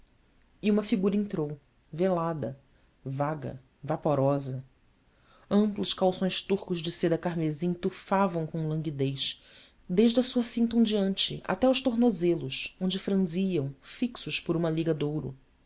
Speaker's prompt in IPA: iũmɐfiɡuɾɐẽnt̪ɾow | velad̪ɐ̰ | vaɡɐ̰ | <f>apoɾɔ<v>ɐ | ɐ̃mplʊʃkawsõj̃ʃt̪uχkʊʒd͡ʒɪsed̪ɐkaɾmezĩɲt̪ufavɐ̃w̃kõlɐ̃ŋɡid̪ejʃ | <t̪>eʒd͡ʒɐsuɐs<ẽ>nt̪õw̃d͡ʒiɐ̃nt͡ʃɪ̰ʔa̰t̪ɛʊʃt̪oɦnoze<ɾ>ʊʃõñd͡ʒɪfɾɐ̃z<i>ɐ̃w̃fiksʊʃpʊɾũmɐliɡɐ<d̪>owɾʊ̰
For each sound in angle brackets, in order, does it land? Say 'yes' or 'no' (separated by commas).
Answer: no, no, no, no, no, yes, yes